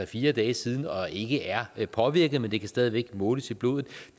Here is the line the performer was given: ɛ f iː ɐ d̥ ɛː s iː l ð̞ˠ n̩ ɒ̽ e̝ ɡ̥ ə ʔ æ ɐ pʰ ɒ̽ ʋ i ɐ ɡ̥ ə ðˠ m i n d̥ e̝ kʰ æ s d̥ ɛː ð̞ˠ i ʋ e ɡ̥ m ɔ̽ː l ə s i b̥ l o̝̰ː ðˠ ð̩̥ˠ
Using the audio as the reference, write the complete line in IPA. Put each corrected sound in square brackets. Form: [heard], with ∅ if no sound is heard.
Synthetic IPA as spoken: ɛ f iː ɐ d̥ ɛː s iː [∅] ð̞ˠ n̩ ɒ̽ e̝ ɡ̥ ə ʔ æ ɐ pʰ ɒ̽ ʋ i ɐ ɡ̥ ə ðˠ m [e] n d̥ e̝ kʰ æ s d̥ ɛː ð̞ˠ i ʋ e ɡ̥ m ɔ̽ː l ə s i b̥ l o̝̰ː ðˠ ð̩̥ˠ